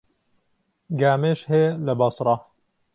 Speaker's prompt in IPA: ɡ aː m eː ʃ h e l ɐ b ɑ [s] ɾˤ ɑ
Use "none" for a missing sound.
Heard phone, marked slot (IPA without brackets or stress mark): s